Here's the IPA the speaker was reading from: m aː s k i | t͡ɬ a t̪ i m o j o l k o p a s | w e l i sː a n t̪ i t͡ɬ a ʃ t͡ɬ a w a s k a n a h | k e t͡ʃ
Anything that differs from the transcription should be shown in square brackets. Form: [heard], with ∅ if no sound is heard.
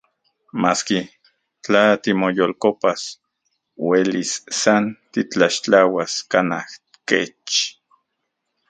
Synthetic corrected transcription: m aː s k i | t͡ɬ a t̪ i m o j o l k o p a s | w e l i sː a n t̪ i t͡ɬ a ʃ t͡ɬ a w a s k a n a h | k e t͡ʃ